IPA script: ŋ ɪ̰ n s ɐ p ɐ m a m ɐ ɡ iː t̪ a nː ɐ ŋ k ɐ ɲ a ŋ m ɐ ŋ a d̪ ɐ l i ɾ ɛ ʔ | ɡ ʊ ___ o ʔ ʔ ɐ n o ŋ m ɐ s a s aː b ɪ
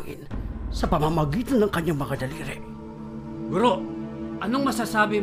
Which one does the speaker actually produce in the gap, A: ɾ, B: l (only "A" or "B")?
A